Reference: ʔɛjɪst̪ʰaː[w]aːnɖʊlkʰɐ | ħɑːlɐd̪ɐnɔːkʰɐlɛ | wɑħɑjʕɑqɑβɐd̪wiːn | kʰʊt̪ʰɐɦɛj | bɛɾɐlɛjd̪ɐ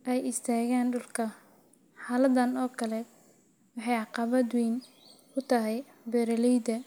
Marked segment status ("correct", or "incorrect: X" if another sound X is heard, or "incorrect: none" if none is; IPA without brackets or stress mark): incorrect: ɣ